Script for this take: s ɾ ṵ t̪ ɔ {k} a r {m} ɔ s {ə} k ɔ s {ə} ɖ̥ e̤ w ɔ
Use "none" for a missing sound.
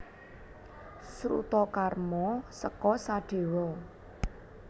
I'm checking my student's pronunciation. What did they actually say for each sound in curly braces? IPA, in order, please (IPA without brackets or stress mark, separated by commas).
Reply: k, m, ə, a